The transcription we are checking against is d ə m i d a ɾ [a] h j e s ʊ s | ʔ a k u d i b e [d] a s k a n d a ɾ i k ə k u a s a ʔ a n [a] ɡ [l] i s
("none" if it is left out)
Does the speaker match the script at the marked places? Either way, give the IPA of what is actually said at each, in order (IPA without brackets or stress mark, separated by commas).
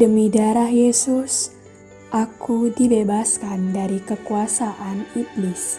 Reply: a, b, i, l